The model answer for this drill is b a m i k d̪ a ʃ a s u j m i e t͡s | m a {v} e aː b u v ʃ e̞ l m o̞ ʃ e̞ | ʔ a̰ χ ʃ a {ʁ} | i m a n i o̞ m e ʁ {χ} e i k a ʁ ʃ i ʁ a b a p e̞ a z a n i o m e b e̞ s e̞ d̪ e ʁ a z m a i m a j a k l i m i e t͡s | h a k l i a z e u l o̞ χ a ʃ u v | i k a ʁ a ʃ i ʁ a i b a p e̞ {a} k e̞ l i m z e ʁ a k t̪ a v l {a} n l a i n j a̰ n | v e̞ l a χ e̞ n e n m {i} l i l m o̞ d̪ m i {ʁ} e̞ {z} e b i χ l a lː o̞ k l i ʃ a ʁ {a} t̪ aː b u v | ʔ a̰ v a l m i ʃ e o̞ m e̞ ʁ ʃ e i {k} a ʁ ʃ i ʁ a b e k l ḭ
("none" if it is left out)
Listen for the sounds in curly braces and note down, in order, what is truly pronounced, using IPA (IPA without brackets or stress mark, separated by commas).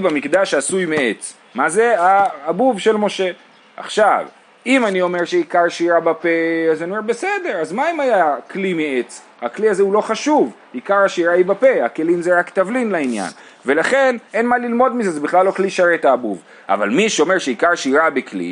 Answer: z, v, ʃ, a, i, a, z, z, e, k